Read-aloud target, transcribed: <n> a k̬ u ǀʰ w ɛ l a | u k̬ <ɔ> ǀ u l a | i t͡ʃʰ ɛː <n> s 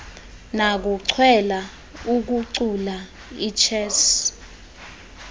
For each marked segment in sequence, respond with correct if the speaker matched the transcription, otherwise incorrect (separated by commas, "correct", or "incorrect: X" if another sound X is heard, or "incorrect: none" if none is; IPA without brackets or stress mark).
correct, incorrect: u, incorrect: none